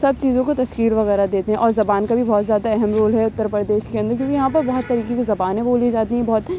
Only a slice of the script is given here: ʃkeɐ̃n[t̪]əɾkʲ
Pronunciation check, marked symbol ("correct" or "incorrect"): incorrect